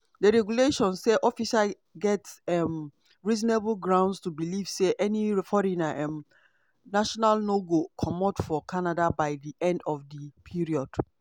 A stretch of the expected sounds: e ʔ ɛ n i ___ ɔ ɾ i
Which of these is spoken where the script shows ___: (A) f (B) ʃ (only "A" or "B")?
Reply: A